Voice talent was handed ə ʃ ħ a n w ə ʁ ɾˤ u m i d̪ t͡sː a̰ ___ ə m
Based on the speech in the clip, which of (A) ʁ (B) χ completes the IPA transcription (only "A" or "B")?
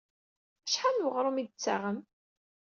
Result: A